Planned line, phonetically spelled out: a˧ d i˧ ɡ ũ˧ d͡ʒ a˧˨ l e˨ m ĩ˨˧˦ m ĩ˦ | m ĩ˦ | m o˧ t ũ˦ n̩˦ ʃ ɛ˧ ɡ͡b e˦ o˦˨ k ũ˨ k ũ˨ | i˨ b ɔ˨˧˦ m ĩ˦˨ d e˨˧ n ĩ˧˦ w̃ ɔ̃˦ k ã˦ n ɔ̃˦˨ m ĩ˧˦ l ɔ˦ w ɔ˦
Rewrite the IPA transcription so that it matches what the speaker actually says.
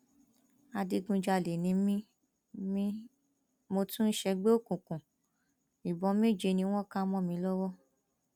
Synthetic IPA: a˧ d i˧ ɡ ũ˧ d͡ʒ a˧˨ l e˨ n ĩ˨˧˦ m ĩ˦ | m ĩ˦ | m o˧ t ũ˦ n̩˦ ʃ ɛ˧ ɡ͡b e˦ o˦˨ k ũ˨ k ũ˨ | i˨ b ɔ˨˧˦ m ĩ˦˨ d͡ʒ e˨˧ n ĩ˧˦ w̃ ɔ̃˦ k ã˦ m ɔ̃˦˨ m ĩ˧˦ l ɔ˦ w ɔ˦